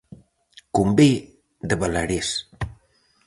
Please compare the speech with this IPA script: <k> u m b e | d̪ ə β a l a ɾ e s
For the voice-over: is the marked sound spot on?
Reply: yes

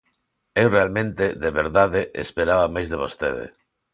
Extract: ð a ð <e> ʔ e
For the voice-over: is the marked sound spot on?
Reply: yes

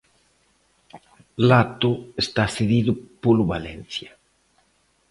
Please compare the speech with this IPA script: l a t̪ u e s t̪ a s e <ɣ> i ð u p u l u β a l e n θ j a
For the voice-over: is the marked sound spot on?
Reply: no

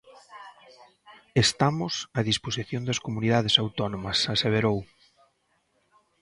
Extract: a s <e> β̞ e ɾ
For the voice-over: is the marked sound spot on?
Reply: yes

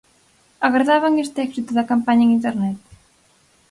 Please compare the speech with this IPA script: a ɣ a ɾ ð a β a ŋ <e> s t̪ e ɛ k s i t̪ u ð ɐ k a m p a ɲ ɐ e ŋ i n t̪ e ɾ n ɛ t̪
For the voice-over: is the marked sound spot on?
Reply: yes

